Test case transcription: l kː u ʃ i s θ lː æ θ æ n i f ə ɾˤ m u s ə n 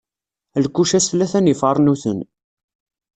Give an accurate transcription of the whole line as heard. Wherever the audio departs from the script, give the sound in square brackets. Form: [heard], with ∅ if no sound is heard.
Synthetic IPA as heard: l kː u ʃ [æ] s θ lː æ θ æ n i f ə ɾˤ [n] u [θ] ə n